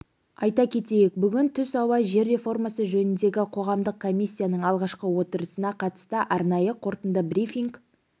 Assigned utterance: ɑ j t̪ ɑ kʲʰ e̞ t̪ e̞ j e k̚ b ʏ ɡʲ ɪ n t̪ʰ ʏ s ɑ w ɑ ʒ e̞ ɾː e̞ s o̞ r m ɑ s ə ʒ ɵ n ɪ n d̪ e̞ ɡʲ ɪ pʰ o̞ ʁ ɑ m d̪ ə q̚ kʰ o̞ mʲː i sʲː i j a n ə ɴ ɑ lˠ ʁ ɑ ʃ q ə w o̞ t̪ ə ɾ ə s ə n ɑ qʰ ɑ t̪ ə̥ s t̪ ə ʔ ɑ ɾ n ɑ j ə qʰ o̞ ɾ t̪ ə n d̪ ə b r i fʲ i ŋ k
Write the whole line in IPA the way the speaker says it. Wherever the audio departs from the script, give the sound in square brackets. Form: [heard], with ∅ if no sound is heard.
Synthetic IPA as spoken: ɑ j t̪ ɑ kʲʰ e̞ t̪ e̞ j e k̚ b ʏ ɡʲ ɪ n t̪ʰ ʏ s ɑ w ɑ ʒ e̞ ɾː e̞ [f] o̞ r m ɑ s ə ʒ ɵ n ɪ n d̪ e̞ ɡʲ ɪ [qʰ] o̞ ʁ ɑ m d̪ ə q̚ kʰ o̞ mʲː i sʲː i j a n ə ɴ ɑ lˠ ʁ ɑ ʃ q ə w o̞ t̪ ə ɾ ə s ə n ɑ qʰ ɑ t̪ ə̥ s t̪ ə ʔ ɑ ɾ n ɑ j ə qʰ o̞ ɾ t̪ ə n d̪ ə b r i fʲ i ŋ k